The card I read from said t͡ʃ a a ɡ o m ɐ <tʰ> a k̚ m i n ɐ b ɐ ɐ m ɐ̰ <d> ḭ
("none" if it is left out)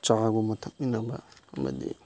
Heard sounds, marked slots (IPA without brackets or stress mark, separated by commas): tʰ, d